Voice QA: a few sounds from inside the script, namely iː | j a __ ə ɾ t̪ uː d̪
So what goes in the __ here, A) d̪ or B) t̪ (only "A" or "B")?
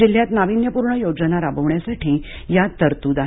B